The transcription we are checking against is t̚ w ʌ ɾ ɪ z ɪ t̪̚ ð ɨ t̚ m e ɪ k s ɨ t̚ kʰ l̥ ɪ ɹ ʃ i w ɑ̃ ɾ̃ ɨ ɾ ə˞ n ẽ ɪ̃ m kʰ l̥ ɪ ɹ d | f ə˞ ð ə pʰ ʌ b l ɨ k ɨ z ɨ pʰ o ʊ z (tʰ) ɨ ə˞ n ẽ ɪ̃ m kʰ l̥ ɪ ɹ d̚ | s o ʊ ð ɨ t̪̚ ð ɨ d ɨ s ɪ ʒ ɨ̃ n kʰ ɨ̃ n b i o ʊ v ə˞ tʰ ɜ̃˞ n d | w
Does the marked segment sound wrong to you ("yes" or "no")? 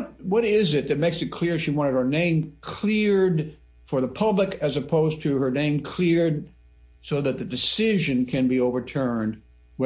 no